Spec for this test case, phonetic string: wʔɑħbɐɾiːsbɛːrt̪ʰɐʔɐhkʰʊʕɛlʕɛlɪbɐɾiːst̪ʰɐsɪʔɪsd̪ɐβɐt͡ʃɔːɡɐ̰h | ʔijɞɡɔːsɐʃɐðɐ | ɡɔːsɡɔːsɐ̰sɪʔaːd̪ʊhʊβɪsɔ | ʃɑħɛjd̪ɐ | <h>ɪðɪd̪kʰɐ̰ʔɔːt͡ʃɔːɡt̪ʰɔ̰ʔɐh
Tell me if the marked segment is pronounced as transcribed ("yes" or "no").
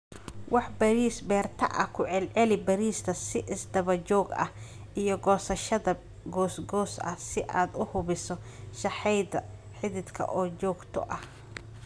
no